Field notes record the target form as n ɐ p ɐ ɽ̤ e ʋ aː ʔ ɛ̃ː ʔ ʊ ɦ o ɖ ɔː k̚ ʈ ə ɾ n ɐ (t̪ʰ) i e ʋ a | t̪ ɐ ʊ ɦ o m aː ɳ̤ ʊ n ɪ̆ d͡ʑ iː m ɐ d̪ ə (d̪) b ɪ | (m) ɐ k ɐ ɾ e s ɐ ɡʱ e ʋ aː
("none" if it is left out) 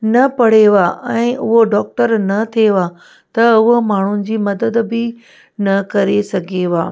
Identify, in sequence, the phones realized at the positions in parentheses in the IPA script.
t̪ʰ, d̪, n

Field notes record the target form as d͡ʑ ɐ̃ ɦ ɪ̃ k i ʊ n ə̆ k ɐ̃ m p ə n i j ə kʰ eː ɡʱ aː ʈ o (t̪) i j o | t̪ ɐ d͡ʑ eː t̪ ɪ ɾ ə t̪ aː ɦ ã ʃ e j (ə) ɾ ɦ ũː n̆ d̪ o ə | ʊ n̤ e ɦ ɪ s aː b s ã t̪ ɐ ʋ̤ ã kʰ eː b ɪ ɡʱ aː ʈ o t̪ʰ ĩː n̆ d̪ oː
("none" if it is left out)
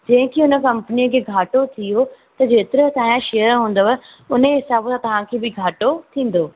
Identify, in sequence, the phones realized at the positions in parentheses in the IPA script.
t̪ʰ, ə

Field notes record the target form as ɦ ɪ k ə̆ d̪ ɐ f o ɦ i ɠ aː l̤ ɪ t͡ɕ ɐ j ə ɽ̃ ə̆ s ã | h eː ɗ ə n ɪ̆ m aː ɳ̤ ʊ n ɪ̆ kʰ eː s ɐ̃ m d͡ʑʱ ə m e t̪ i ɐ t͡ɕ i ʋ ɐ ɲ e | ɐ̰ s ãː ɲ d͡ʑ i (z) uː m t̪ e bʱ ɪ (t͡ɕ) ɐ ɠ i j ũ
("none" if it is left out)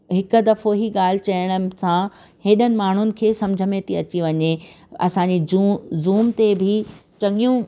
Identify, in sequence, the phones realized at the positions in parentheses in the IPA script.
z, t͡ɕ

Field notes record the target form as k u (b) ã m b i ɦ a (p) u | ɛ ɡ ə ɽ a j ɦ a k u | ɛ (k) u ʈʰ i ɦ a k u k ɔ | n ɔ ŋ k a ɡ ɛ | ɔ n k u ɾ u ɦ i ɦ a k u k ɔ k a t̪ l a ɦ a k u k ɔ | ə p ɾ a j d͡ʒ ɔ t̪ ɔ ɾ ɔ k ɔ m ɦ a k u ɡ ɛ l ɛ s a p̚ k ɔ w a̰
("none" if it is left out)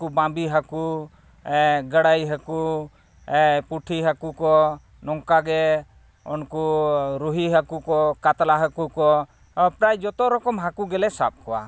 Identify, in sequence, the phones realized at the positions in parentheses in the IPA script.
b, k, p

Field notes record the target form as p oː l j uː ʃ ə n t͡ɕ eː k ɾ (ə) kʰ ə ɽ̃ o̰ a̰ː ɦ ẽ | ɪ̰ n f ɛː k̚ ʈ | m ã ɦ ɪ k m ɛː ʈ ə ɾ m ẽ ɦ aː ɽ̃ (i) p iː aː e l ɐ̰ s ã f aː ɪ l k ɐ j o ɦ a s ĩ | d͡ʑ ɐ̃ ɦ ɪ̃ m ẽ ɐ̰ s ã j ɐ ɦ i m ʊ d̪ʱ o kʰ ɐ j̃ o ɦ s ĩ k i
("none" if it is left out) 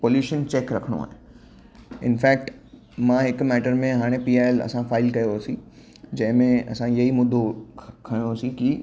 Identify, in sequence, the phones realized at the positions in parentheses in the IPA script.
ɐ, e

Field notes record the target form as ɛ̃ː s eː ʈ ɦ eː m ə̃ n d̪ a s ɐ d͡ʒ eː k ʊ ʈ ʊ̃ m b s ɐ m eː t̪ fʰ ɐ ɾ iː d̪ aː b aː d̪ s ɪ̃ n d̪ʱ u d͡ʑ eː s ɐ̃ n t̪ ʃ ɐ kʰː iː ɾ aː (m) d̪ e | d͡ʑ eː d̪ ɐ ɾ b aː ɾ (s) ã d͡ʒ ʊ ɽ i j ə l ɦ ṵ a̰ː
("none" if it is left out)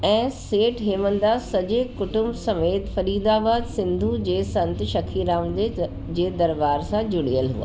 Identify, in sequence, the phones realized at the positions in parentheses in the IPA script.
m, s

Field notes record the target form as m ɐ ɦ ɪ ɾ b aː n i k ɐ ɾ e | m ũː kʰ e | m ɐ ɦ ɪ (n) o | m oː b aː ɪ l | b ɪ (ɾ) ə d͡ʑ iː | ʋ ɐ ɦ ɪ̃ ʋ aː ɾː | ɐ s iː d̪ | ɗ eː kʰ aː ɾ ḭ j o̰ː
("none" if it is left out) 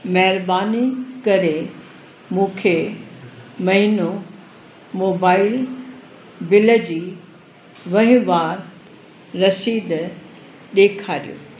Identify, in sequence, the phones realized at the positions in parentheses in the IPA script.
n, l

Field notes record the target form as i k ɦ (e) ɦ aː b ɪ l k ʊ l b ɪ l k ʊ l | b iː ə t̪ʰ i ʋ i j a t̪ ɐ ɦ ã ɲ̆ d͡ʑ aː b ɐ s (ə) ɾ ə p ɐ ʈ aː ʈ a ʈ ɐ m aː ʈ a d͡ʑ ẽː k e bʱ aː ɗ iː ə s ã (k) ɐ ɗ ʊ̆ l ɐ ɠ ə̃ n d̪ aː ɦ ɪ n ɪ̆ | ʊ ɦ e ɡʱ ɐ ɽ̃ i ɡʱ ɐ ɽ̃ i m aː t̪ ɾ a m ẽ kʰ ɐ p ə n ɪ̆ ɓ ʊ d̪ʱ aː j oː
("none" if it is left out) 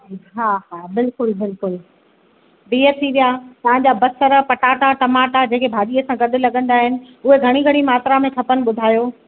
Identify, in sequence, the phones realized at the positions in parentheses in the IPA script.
a, ə, ɡ

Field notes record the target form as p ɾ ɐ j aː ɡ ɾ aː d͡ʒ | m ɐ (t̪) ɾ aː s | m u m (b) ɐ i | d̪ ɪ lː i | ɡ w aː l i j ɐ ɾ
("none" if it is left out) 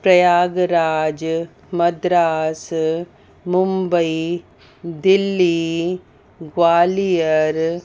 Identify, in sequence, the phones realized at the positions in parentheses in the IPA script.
d̪, b

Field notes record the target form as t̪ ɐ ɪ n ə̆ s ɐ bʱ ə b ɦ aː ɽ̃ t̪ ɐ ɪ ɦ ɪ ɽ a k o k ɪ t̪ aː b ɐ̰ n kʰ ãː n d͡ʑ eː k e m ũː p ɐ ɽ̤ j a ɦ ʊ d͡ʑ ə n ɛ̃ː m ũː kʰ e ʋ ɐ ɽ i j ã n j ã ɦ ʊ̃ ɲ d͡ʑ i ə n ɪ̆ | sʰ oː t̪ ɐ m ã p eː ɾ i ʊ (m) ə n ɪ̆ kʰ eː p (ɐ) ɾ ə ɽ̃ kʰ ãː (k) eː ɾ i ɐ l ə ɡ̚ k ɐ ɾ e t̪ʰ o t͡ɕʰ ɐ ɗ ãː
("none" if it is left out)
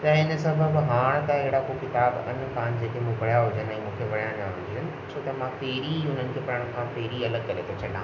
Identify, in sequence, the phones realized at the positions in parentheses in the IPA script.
n, ɐ, p

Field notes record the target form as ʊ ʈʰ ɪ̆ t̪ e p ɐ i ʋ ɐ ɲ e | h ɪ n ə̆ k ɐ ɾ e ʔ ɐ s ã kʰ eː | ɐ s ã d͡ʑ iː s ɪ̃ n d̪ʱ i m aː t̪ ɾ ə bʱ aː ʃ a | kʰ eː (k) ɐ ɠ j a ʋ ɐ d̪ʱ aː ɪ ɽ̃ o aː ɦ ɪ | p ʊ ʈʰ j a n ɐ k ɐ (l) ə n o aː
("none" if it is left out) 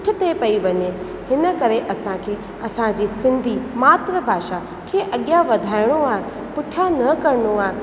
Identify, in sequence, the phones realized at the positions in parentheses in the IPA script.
ʔ, ɾ

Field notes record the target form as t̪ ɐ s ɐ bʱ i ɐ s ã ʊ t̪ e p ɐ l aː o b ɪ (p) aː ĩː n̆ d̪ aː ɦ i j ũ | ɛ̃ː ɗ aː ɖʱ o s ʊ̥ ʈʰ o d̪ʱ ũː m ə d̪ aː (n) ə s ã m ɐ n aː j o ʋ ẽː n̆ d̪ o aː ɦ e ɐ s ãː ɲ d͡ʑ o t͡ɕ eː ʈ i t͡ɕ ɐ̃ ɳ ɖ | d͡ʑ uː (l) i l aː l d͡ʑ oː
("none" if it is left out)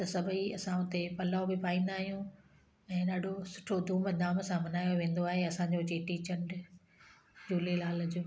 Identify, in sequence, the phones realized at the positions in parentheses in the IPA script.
p, m, l

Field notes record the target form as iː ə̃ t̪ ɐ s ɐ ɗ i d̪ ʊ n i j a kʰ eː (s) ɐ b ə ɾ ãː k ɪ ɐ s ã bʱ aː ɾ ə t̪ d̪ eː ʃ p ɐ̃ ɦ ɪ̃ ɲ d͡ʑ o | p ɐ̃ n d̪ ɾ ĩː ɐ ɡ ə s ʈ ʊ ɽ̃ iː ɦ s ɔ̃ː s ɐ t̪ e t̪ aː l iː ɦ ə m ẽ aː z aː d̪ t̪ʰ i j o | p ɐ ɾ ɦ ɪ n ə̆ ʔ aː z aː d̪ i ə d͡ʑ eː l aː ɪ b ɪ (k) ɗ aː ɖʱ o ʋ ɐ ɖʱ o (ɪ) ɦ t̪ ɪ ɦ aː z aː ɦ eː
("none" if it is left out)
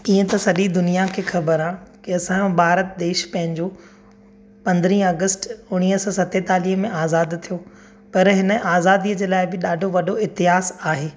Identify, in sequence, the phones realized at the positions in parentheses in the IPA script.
x, none, ɪ

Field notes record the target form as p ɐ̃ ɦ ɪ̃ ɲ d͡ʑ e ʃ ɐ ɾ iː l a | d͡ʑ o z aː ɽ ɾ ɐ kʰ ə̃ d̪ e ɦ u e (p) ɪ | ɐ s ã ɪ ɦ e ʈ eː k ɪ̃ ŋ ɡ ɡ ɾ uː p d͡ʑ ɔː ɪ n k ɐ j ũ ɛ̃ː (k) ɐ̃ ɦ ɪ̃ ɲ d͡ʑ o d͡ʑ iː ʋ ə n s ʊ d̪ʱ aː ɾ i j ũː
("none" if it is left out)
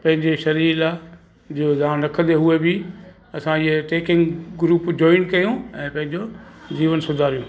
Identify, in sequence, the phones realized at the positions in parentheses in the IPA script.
b, p

